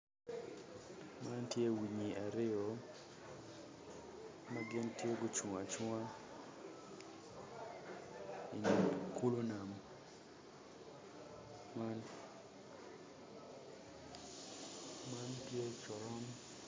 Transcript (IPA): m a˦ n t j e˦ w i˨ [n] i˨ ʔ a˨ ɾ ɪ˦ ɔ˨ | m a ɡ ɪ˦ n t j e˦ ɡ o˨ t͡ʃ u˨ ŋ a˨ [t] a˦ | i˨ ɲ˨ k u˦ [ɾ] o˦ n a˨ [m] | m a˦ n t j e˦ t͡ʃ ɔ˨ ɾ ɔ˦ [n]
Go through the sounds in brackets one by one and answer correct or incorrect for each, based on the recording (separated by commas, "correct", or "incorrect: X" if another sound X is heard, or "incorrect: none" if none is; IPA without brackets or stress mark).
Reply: incorrect: ɲ, incorrect: t͡ʃ, incorrect: l, correct, incorrect: m